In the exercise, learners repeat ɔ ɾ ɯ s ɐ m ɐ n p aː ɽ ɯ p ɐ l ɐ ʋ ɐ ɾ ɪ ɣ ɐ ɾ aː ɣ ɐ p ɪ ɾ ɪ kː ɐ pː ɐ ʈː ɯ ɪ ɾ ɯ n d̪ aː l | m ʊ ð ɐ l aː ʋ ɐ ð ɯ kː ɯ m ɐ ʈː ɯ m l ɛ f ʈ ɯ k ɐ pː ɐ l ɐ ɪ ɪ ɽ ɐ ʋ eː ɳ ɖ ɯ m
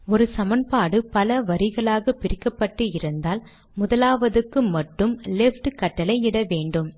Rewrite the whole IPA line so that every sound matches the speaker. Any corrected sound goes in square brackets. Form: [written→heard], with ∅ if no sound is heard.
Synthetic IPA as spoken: ɔ ɾ ɯ s ɐ m ɐ n p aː ɽ ɯ p ɐ l ɐ ʋ ɐ ɾ ɪ ɣ ɐ [ɾ→ɭ] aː ɣ ɐ p ɪ ɾ ɪ kː ɐ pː ɐ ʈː ɯ ɪ ɾ ɯ n d̪ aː l | m ʊ ð ɐ l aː ʋ ɐ ð ɯ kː ɯ m ɐ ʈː ɯ m l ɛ f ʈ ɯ k ɐ [pː→ʈː] ɐ l ɐ ɪ ɪ ɽ ɐ ʋ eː ɳ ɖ ɯ m